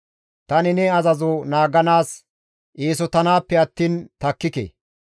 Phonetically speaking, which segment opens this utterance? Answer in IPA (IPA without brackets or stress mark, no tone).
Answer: t̪